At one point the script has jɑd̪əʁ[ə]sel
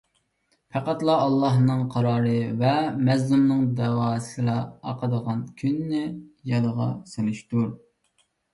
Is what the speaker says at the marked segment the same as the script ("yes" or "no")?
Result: no